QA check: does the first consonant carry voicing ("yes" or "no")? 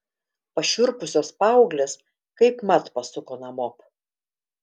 no